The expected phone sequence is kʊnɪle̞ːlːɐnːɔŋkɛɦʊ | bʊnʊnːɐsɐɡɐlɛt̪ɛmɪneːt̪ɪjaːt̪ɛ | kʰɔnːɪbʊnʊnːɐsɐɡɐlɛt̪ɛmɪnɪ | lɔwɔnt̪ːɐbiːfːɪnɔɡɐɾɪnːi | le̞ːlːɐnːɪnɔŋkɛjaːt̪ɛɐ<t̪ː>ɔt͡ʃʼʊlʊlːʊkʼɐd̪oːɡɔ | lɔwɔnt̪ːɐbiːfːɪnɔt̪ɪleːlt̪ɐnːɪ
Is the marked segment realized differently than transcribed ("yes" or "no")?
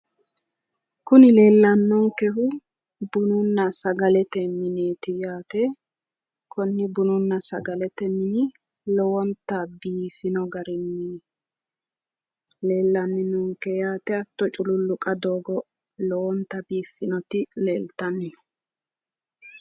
no